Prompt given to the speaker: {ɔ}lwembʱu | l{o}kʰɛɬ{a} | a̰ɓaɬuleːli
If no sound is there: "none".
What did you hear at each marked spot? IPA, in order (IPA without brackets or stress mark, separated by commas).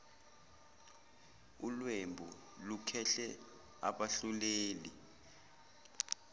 u, u, ɛ